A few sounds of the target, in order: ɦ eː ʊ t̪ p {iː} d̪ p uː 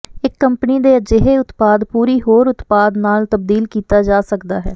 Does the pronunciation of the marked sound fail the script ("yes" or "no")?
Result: yes